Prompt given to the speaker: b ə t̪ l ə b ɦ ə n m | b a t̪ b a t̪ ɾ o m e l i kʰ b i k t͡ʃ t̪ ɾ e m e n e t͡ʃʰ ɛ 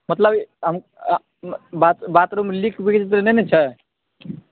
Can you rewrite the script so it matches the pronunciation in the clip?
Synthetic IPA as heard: m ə t̪ l ə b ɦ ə m | b a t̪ b a t̪ ɾ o m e l i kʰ b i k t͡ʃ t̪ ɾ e n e n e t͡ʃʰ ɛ